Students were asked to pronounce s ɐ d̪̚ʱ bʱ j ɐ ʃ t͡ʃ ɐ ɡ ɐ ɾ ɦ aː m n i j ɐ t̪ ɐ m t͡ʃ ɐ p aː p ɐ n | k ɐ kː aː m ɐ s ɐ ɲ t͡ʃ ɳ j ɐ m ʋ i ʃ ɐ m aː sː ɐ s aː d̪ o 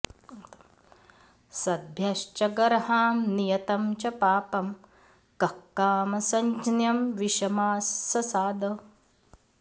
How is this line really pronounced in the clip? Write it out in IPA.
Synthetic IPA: s ɐ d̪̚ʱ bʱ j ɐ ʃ t͡ʃ ɐ ɡ ɐ ɾ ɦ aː m n i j ɐ t̪ ɐ m t͡ʃ ɐ p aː p ɐ m | k ɐ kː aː m ɐ s ɐ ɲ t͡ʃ n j ɐ m ʋ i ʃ ɐ m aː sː ɐ s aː d̪ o